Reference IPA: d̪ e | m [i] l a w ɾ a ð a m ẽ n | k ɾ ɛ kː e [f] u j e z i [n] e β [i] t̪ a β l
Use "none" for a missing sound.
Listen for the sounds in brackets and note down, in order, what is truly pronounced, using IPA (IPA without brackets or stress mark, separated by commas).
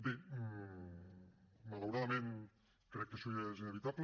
a, s, n, i